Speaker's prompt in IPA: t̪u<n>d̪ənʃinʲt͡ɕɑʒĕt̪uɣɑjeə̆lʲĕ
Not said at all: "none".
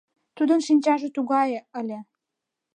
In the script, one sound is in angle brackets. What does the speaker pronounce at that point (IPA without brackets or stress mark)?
none